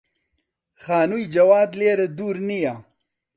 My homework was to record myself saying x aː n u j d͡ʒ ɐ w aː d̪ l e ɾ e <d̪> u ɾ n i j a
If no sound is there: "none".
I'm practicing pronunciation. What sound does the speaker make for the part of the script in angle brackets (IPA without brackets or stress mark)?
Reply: d̪